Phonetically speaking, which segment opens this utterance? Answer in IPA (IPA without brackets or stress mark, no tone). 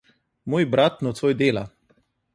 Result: m